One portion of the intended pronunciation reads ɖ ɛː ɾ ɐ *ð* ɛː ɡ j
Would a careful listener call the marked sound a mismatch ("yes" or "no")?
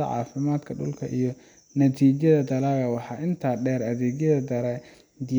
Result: no